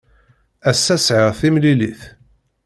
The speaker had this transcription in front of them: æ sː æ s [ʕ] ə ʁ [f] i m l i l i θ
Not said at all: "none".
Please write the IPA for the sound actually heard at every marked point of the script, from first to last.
ʕ, θ

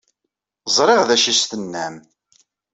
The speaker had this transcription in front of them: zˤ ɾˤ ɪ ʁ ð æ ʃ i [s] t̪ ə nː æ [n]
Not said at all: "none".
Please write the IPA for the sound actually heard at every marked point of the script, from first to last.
s, m

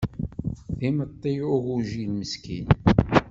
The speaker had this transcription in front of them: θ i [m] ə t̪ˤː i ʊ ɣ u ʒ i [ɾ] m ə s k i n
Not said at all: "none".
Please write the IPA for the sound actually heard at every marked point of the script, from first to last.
m, l

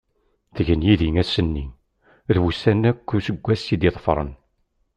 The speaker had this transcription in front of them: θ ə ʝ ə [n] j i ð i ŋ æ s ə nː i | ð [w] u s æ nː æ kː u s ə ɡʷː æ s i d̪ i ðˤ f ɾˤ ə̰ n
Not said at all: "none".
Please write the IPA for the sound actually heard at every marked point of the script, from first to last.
n, w

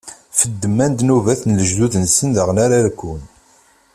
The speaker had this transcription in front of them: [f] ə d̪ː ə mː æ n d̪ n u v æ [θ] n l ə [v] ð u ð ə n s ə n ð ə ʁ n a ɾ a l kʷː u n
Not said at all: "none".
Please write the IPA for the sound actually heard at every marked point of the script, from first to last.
f, θ, ʒ

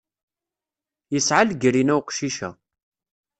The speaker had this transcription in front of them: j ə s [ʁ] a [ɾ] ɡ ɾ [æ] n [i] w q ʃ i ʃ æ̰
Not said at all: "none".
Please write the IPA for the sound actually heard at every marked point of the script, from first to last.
ʕ, l, i, æ

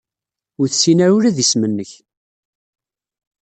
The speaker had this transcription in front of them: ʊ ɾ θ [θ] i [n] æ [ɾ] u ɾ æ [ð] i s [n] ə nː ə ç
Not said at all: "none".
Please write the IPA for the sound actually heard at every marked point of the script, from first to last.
s, n, ɾ, ð, m

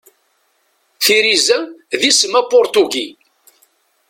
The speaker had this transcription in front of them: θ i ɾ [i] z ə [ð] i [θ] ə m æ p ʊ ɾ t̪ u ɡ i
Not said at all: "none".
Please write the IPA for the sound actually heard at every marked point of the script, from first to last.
i, ð, s

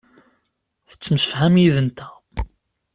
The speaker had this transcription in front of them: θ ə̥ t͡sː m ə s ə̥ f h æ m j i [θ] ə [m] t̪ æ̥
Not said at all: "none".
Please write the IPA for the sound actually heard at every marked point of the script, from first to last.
ð, n

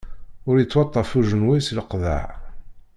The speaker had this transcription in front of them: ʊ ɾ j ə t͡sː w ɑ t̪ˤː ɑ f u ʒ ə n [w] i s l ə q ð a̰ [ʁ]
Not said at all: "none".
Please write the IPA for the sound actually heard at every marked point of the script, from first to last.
w, ʕ

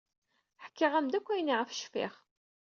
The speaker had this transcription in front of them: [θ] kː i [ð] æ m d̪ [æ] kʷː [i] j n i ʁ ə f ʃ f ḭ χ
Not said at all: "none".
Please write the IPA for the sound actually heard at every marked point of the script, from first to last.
ħ, ʁ, æ, æ

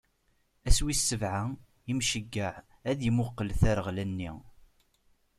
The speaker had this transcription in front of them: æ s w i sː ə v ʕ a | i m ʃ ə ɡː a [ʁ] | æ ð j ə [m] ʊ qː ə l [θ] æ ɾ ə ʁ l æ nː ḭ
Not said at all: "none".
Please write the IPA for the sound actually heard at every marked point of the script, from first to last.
ʕ, m, θ

